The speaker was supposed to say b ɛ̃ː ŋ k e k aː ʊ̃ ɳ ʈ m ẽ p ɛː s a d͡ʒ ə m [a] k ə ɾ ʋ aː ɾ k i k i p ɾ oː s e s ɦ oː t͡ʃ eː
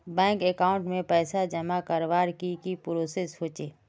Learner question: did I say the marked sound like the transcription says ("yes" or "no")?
yes